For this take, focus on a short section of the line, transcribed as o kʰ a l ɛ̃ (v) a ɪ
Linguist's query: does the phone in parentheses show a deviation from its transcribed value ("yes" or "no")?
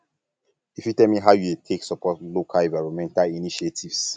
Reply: no